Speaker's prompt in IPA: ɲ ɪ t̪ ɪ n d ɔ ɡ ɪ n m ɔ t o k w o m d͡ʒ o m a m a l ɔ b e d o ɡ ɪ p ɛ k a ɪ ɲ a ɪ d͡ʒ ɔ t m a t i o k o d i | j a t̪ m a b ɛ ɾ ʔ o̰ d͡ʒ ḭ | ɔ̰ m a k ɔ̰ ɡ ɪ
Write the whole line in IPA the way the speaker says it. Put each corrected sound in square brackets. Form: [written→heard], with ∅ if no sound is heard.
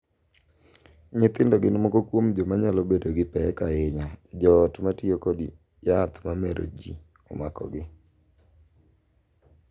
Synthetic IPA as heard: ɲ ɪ t̪ ɪ n d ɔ ɡ ɪ n m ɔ [t→k] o k w o m d͡ʒ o m a [m→ɲ] a l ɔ b e d o ɡ ɪ p ɛ k a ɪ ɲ a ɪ d͡ʒ ɔ t m a t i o k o d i | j a t̪ m a [b→m] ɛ ɾ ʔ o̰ d͡ʒ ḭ | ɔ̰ m a k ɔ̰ ɡ ɪ